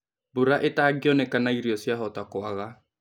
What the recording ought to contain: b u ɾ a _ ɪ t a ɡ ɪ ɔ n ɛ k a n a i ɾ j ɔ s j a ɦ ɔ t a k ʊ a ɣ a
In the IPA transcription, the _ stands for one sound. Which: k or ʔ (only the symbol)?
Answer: ʔ